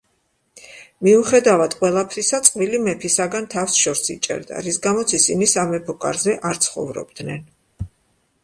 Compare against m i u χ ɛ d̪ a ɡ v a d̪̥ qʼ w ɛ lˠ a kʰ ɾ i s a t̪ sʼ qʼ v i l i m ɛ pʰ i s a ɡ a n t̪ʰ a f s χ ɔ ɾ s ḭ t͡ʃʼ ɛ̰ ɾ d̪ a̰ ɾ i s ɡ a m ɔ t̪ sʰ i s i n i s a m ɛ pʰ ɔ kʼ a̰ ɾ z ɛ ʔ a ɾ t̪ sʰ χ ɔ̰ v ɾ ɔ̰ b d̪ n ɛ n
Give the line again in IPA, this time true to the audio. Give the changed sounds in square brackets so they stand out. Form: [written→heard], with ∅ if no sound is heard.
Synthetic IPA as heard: m i u χ ɛ d̪ a [ɡ→∅] v a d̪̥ qʼ w ɛ lˠ a [kʰ→pʰ] ɾ i s a t̪ sʼ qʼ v i l i m ɛ pʰ i s a ɡ a n t̪ʰ a f s [χ→ʃ] ɔ ɾ s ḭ t͡ʃʼ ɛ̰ ɾ d̪ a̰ ɾ i s ɡ a m ɔ t̪ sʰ i s i n i s a m ɛ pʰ ɔ kʼ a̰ ɾ z ɛ ʔ a ɾ t̪ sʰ χ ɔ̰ v ɾ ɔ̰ b d̪ n ɛ n